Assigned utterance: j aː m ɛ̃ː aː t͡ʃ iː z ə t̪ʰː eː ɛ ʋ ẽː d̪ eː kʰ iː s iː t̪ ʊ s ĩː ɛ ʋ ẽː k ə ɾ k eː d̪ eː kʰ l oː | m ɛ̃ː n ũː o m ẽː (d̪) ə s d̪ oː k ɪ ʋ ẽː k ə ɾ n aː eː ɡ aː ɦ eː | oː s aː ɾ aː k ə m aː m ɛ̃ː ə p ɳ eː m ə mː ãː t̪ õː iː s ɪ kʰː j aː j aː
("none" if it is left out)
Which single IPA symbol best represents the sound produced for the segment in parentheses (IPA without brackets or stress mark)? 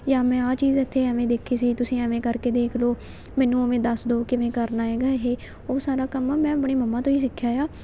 d̪